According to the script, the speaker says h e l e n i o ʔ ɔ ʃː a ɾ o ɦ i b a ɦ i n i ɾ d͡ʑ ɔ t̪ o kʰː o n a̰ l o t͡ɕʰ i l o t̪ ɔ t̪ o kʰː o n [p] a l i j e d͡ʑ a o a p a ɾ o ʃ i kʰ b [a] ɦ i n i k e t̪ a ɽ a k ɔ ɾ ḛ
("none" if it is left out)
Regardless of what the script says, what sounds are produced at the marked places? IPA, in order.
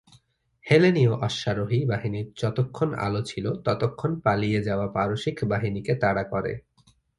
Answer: p, a

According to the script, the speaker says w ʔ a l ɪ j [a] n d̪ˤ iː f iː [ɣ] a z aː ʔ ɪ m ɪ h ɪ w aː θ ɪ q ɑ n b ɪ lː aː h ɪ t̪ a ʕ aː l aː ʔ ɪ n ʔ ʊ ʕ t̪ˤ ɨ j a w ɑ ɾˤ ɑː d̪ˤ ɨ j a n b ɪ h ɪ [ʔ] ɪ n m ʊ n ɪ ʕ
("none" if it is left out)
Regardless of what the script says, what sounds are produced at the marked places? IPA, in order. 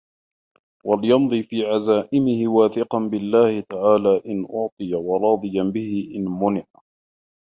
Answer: ɑ, ʕ, ʔ

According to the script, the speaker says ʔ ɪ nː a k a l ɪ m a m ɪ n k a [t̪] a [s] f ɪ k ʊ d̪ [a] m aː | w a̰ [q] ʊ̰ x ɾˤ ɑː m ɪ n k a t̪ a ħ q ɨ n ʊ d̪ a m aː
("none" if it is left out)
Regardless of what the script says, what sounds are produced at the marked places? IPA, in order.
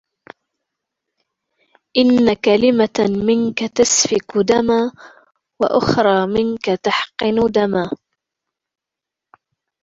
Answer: t̪, s, a, ʔ

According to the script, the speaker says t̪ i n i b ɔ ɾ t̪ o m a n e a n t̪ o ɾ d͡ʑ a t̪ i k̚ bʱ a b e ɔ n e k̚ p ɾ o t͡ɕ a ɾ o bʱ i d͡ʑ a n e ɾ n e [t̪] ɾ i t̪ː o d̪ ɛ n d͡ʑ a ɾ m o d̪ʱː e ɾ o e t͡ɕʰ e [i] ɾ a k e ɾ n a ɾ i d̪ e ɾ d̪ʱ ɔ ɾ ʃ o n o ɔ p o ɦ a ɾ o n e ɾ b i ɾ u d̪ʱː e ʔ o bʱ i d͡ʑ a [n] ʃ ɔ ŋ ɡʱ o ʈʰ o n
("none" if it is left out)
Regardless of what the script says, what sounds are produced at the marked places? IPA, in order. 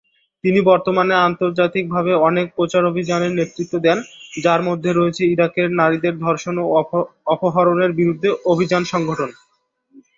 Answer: t̪, i, n

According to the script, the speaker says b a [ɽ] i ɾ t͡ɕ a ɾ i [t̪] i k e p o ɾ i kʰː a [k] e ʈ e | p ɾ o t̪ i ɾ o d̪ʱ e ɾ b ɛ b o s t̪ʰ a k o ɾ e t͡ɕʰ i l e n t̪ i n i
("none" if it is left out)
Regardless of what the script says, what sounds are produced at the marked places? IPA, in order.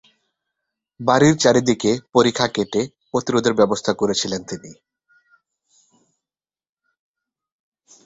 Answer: ɾ, d̪, k

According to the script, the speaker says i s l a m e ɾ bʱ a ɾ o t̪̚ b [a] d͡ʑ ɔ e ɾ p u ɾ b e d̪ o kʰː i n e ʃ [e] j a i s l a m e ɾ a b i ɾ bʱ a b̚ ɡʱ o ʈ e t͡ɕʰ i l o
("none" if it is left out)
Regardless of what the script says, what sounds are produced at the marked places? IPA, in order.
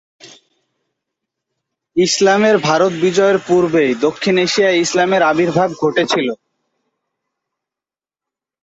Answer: i, i

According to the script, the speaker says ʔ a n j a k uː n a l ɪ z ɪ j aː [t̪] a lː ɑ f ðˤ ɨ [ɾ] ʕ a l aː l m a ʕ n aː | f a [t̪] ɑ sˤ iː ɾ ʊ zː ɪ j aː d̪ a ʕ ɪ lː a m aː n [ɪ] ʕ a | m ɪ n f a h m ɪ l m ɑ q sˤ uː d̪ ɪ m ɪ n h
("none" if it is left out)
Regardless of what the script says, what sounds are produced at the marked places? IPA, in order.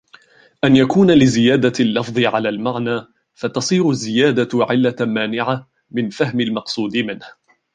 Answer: d̪, none, t̪, ɪ

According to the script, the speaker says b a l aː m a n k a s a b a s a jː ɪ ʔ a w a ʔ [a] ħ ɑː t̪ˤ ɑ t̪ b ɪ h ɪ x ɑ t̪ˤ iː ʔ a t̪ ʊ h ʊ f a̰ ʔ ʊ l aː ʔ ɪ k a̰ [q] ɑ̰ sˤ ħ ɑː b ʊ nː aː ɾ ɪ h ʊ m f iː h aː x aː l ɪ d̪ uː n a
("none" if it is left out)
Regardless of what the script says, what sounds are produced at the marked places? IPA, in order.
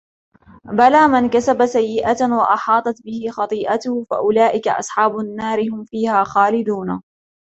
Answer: ɑ, ʔ

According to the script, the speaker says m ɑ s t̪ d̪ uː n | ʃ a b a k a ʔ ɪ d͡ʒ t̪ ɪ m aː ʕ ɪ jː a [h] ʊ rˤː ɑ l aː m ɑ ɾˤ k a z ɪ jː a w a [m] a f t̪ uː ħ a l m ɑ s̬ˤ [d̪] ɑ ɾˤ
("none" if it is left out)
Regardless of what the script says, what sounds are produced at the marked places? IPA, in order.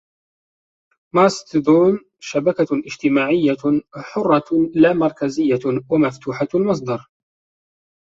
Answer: ħ, m, d̪

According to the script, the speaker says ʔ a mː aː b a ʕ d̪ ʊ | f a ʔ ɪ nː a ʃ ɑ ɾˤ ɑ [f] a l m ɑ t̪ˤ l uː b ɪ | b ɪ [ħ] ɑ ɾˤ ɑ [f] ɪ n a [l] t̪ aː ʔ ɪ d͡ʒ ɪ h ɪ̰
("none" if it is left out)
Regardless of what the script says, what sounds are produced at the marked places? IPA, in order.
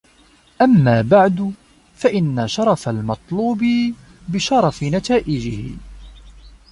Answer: f, ʃ, f, none

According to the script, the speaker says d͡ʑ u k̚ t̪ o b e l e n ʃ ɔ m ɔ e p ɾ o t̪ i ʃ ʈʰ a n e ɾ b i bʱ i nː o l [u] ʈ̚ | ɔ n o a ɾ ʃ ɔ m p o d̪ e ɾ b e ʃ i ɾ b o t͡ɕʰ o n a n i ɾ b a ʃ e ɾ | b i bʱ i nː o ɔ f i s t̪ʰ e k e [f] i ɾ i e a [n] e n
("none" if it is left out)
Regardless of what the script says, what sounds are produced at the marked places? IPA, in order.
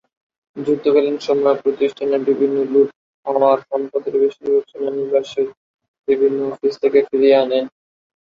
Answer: u, f, n

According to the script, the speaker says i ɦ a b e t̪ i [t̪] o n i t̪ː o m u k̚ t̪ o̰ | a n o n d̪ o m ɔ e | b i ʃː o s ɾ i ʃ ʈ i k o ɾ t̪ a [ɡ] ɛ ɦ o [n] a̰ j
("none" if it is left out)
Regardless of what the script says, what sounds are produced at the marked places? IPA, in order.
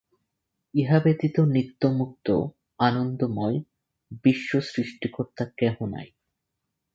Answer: t̪, k, n

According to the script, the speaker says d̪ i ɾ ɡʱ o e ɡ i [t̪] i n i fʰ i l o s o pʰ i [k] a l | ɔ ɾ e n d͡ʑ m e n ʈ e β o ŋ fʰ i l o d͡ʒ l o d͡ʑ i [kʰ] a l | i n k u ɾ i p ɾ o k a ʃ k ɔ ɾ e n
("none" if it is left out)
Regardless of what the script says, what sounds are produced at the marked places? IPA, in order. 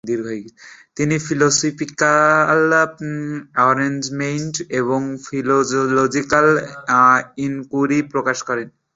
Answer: t̪, k, k

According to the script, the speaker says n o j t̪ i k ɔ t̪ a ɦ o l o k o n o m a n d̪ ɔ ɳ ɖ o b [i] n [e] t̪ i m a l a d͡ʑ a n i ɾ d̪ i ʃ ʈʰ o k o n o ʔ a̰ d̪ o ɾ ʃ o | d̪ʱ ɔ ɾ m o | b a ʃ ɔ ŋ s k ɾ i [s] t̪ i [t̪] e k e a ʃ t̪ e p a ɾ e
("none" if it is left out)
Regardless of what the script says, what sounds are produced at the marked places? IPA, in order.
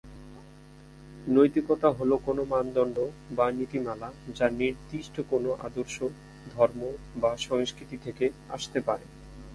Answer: a, i, none, t̪ʰ

